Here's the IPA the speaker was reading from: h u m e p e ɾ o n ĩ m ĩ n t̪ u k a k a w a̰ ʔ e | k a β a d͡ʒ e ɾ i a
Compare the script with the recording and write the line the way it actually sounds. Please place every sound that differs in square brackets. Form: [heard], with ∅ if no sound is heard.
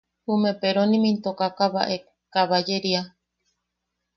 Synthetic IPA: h u m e p e ɾ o n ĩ m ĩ n t̪ [o] k a k a [β] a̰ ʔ e | k a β a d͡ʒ e ɾ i a